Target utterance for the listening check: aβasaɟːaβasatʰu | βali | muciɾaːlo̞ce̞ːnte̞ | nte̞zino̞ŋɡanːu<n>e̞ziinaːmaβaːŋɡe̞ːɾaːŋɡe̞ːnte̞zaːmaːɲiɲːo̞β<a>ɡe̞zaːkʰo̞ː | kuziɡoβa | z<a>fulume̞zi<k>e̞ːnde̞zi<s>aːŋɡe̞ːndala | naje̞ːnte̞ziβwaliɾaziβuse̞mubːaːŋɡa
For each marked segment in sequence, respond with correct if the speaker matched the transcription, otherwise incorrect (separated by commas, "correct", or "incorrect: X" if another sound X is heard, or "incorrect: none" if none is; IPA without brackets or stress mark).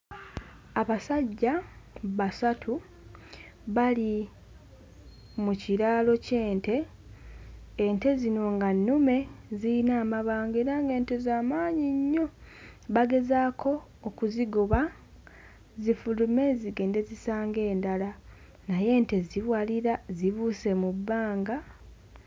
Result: incorrect: m, correct, incorrect: i, incorrect: ɡ, correct